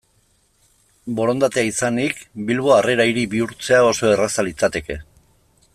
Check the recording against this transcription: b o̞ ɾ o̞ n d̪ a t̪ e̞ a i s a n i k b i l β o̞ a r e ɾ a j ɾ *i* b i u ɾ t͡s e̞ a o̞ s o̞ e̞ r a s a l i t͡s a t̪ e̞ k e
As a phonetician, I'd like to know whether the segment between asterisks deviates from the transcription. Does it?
no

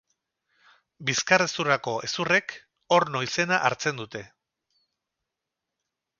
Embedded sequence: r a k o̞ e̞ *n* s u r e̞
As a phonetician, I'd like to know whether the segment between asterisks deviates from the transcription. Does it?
yes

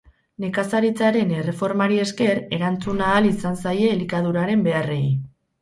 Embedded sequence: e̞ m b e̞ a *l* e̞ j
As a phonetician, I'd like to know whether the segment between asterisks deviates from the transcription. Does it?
yes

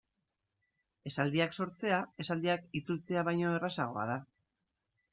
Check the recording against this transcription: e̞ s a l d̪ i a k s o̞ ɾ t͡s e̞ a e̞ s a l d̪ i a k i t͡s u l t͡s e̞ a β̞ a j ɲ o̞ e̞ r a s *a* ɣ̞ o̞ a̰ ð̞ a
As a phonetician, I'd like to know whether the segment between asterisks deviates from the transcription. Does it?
no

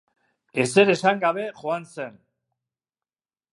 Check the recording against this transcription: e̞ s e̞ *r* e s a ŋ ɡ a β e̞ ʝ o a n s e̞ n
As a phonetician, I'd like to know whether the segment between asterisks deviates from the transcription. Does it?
yes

